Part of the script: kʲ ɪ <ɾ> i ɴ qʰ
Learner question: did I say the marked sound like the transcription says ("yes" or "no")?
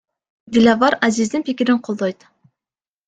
yes